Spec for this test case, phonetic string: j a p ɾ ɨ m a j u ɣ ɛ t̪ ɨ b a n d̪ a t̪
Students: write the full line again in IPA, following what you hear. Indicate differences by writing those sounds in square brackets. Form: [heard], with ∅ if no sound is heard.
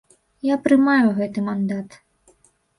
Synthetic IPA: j a p ɾ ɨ m a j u ɣ ɛ t̪ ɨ [m] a n d̪ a t̪

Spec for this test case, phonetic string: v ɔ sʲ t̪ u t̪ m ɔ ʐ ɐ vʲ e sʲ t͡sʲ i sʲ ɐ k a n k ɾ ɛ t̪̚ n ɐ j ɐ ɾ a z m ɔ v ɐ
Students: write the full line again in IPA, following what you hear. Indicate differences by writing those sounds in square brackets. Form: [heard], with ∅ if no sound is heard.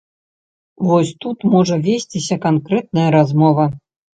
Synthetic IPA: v ɔ sʲ t̪ u t̪ m ɔ ʐ ɐ vʲ e sʲ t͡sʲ i sʲ ɐ k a n k ɾ ɛ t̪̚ n ɐ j ɐ ɾ a z m ɔ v ɐ

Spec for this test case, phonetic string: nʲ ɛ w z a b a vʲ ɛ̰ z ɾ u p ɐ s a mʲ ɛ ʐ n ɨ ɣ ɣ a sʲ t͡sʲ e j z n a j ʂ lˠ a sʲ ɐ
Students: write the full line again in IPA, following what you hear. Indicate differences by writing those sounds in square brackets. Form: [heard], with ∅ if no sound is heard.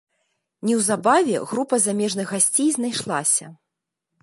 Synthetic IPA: nʲ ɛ w z a b a vʲ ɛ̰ [ɣ] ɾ u p ɐ [z] a mʲ ɛ ʐ n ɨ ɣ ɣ a sʲ t͡sʲ e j z n a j ʂ lˠ a sʲ ɐ

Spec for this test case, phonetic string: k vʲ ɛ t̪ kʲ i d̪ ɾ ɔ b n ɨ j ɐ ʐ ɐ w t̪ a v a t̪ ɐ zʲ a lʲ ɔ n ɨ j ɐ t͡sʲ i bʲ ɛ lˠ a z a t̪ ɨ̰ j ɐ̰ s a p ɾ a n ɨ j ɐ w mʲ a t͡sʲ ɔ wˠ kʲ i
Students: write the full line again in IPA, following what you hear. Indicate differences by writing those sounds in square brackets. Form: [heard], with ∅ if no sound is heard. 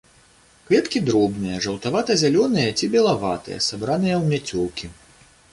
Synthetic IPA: k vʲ ɛ t̪ kʲ i d̪ ɾ ɔ b n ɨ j ɐ ʐ ɐ w t̪ a v a t̪ ɐ zʲ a lʲ ɔ n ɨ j ɐ t͡sʲ i bʲ ɛ lˠ a [v] a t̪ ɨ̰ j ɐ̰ s a [b] ɾ a n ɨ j ɐ w mʲ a t͡sʲ ɔ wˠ kʲ i

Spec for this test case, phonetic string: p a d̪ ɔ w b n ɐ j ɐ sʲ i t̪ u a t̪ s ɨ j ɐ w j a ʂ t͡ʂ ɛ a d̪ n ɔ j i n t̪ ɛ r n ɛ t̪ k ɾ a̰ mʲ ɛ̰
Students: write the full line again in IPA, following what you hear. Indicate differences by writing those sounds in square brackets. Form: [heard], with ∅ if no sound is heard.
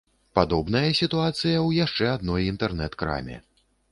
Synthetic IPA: p a d̪ ɔ [∅] b n ɐ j ɐ sʲ i t̪ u a t̪ s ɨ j ɐ w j a ʂ t͡ʂ ɛ a d̪ n ɔ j i n t̪ ɛ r n ɛ t̪ k ɾ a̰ mʲ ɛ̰

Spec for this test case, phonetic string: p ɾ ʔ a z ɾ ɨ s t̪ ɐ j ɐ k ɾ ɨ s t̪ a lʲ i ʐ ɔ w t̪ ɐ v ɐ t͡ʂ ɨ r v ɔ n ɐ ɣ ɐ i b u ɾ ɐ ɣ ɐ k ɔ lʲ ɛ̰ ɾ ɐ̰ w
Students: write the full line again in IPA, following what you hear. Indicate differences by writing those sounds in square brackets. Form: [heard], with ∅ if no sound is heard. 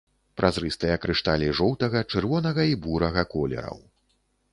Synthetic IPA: p ɾ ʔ a z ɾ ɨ s t̪ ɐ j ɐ k ɾ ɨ [ʂ] t̪ a lʲ i ʐ ɔ w t̪ ɐ [ɣ] ɐ t͡ʂ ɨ r v ɔ n ɐ ɣ ɐ i b u ɾ ɐ ɣ ɐ k ɔ lʲ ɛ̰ ɾ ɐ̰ w

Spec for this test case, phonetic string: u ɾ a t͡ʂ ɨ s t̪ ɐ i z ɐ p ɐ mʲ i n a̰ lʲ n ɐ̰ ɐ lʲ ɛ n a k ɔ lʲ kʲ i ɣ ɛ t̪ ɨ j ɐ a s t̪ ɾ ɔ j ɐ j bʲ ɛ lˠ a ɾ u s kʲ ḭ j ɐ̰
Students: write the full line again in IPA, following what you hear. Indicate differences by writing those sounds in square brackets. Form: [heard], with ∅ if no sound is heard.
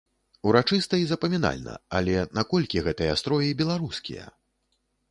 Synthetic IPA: u ɾ a t͡ʂ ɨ s t̪ ɐ i z ɐ p ɐ mʲ i n a̰ lʲ n ɐ̰ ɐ lʲ ɛ n a k ɔ lʲ kʲ i ɣ ɛ t̪ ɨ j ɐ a s t̪ ɾ ɔ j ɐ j bʲ ɛ lˠ a ɾ u s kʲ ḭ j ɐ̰

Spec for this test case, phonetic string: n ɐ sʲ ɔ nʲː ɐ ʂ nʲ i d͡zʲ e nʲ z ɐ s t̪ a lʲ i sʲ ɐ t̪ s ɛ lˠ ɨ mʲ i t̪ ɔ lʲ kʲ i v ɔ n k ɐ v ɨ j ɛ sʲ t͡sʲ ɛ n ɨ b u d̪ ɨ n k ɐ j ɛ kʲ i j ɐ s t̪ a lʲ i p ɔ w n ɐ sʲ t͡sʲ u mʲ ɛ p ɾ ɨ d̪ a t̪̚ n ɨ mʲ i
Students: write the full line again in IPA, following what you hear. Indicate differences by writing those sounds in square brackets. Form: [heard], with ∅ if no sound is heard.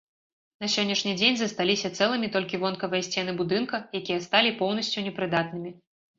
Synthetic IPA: n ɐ sʲ ɔ nʲː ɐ ʂ nʲ i d͡zʲ e nʲ z ɐ s t̪ a lʲ i sʲ ɐ t̪ s ɛ lˠ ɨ mʲ i t̪ ɔ lʲ kʲ i v ɔ n k ɐ v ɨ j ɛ sʲ t͡sʲ ɛ n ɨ b u d̪ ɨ n k ɐ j [a] kʲ i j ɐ s t̪ a lʲ i p ɔ w n ɐ sʲ t͡sʲ u [nʲ] ɛ p ɾ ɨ d̪ a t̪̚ n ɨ mʲ i

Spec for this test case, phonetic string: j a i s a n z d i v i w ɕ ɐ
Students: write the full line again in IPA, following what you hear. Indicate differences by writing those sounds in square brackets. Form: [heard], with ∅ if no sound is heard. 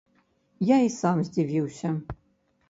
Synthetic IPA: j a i s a [m] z d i v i w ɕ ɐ

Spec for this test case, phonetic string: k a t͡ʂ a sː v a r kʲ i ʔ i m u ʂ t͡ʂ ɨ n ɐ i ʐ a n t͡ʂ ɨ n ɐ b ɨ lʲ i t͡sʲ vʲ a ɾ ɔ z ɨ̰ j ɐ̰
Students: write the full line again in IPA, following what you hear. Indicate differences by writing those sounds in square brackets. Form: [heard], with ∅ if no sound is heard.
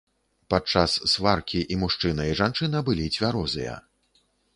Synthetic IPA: [p] a t͡ʂ a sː v a r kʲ i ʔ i m u ʂ t͡ʂ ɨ n ɐ i ʐ a n t͡ʂ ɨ n ɐ b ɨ lʲ i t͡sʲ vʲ a ɾ ɔ z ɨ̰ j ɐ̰

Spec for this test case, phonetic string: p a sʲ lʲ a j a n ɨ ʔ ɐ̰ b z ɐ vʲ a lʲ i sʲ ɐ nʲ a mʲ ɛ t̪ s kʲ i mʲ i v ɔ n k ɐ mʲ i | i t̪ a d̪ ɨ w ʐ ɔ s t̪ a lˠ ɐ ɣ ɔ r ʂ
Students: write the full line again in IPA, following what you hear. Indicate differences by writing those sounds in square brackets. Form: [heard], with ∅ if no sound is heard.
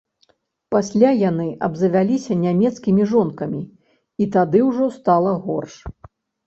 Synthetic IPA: p a sʲ lʲ a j a n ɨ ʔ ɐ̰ b z ɐ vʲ a lʲ i sʲ ɐ nʲ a mʲ ɛ t̪ s kʲ i mʲ i [ʐ] ɔ n k ɐ mʲ i | i t̪ a d̪ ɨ w ʐ ɔ s t̪ a lˠ ɐ ɣ ɔ r ʂ

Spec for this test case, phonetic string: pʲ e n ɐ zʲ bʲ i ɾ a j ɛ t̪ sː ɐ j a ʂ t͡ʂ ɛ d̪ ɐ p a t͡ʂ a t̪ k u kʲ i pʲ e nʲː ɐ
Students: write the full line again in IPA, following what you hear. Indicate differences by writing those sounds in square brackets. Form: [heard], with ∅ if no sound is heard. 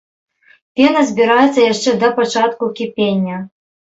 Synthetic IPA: pʲ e n ɐ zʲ bʲ i ɾ a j ɛ t̪ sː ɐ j a ʂ t͡ʂ ɛ d̪ ɐ p a t͡ʂ a t̪ k u kʲ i pʲ e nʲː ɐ

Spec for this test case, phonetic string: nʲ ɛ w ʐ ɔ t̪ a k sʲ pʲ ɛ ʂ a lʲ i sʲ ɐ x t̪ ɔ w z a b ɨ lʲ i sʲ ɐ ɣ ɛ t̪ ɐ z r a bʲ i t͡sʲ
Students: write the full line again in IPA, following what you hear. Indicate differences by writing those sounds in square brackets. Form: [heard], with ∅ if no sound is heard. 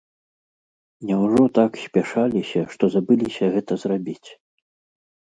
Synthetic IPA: nʲ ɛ w ʐ ɔ t̪ a k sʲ pʲ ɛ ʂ a lʲ i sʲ ɐ [ʂ] t̪ ɔ [∅] z a b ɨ lʲ i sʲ ɐ ɣ ɛ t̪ ɐ z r a bʲ i t͡sʲ

